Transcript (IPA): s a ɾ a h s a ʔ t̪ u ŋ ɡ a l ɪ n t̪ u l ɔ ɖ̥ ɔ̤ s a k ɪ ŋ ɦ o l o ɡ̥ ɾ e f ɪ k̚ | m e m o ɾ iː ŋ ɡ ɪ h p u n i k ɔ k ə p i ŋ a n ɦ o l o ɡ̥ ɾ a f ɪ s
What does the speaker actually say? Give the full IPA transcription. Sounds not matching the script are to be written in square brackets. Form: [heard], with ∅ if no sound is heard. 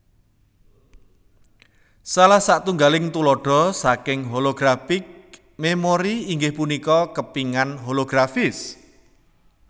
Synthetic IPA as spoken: s a [l] a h s a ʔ t̪ u ŋ ɡ a l ɪ [ŋ] t̪ u l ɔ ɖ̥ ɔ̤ s a k ɪ ŋ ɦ o l o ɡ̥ ɾ [a] f ɪ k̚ | m e m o ɾ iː ŋ ɡ ɪ h p u n i k ɔ k ə p i ŋ a n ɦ o l o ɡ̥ ɾ a f ɪ s

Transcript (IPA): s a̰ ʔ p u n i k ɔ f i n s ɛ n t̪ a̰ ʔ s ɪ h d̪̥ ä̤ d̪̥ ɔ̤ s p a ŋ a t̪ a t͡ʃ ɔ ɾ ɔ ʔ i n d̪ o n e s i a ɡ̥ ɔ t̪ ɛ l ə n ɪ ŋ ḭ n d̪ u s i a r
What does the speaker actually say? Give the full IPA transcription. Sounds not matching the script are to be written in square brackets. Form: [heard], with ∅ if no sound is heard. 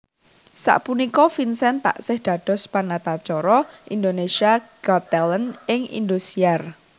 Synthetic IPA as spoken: s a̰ ʔ p u n i k ɔ f i n s ɛ n t̪ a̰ ʔ s ɪ h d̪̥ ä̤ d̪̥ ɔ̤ s p a [n] a t̪ a t͡ʃ ɔ ɾ ɔ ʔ i n d̪ o n e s i a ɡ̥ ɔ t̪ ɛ l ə n ɪ ŋ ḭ n d̪ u s i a r

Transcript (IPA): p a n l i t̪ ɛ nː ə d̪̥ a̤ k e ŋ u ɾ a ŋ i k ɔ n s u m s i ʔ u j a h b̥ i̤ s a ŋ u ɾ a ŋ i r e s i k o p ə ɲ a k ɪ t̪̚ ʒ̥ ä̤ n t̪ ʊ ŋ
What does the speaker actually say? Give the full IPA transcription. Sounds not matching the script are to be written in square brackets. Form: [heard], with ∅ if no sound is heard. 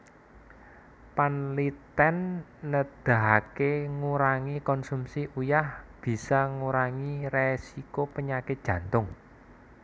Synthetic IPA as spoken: p a n l i t̪ ɛ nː ə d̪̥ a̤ k e ŋ u ɾ a ŋ i k ɔ n s u m s i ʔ u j a h b̥ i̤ s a ŋ u ɾ a ŋ i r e s i k o p ə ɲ a k ɪ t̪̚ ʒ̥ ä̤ n t̪ ʊ ŋ

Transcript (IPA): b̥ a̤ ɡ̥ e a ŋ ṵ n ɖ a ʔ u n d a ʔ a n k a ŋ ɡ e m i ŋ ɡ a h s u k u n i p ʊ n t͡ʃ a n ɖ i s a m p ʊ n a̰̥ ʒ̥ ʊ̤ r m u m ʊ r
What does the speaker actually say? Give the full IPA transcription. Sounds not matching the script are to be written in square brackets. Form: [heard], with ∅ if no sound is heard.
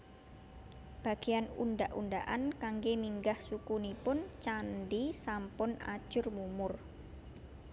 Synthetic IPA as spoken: b̥ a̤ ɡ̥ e a [n] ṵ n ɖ a ʔ u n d a ʔ a n k a ŋ ɡ e m i ŋ ɡ a h s u k u n i p ʊ n t͡ʃ a n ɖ i s a m p ʊ n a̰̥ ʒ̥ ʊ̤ r m u m ʊ r

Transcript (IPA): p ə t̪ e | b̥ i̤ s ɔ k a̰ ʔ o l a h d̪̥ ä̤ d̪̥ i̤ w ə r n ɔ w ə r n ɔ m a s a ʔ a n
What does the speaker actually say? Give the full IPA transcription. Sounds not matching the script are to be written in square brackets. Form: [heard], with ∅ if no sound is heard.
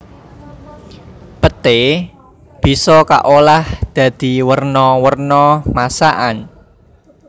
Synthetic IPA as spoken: p ə t̪ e | b̥ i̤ s ɔ k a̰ ʔ o l a h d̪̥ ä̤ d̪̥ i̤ w ə r n ɔ w ə r n ɔ m a s a ʔ a n

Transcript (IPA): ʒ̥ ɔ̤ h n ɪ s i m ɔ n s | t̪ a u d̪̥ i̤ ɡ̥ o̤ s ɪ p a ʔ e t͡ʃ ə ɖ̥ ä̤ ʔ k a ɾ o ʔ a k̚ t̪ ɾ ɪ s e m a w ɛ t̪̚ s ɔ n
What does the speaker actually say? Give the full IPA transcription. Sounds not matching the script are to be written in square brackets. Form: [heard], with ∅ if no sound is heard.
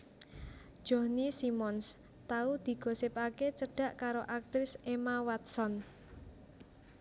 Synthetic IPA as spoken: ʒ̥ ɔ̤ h n [i] s i m ɔ n s | t̪ a u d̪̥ i̤ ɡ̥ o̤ s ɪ p a [k] e t͡ʃ ə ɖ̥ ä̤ ʔ k a ɾ o ʔ a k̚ t̪ ɾ ɪ s e m a w [a] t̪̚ s ɔ n

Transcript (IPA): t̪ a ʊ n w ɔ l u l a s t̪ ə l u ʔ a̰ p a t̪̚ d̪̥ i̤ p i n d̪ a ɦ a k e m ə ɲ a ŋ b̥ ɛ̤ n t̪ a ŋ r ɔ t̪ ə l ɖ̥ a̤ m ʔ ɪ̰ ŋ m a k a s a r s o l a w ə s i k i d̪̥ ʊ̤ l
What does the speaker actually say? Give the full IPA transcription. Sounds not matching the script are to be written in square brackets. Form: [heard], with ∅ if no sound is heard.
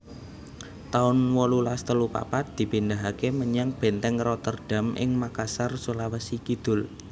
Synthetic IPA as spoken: t̪ a ʊ n w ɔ l u l a s t̪ ə l u [p] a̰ p a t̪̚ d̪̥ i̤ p i n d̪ a ɦ a k e m ə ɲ a ŋ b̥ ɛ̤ n t̪ [ɛ] ŋ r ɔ t̪ ə [r] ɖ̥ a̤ m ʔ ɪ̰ ŋ m a k a s a r s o l a w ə s i k i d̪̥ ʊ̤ l

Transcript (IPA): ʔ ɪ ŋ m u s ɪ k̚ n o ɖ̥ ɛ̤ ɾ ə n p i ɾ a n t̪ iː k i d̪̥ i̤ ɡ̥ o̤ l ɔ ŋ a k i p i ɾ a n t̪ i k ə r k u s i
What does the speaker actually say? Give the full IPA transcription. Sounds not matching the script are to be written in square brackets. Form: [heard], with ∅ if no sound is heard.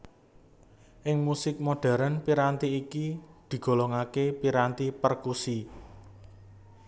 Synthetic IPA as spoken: ʔ ɪ ŋ m u s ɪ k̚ [m] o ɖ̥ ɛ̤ ɾ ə n p i ɾ a n t̪ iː k i d̪̥ i̤ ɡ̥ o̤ l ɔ ŋ a k [e] p i ɾ a n t̪ i [p] ə r k u s i

